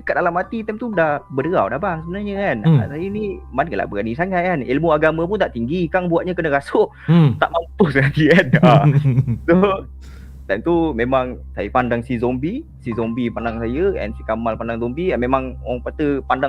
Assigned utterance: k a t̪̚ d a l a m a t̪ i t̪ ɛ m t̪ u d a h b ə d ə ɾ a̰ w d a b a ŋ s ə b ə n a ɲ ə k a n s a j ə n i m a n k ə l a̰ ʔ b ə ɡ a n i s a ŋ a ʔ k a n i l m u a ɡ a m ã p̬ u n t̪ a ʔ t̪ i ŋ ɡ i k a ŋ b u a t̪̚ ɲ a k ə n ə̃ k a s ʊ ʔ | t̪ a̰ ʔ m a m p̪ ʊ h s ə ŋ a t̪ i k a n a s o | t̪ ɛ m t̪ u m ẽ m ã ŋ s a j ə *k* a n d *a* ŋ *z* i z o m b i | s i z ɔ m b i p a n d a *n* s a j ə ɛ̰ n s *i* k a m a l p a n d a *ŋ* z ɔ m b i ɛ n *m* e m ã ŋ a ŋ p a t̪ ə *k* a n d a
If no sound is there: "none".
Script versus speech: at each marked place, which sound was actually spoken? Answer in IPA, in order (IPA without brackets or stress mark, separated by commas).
p, a, s, ŋ, i, ŋ, m, p